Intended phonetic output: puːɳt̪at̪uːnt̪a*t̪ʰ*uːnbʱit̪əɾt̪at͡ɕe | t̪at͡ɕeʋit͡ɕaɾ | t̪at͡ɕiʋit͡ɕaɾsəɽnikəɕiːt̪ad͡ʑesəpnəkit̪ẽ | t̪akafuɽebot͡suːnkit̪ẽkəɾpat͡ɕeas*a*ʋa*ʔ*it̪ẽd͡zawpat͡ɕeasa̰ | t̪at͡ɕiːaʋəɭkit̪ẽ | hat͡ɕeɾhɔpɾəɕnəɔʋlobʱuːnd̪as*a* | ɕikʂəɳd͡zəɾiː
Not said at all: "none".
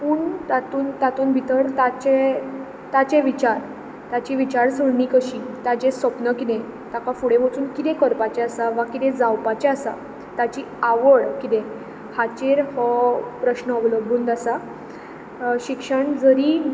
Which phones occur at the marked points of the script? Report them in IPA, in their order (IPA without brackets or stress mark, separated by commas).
t̪, a, k, a